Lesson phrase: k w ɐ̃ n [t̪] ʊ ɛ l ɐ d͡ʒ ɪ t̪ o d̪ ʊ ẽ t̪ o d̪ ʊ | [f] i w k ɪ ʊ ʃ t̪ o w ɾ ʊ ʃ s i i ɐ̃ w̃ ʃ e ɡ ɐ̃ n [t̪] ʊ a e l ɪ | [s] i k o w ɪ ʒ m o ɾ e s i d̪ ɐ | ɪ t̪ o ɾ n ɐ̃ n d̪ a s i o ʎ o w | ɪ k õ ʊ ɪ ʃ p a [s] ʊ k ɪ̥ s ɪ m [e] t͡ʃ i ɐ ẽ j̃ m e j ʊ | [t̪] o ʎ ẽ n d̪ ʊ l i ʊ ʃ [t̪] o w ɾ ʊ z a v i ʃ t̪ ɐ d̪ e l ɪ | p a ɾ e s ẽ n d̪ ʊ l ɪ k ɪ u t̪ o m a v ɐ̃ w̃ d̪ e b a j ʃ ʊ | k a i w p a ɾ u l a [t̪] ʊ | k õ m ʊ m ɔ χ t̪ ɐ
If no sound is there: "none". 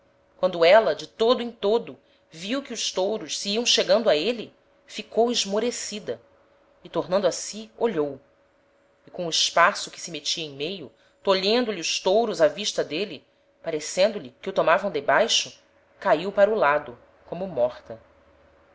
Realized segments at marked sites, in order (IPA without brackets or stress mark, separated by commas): d̪, v, d̪, f, s, e, t̪, t̪, d̪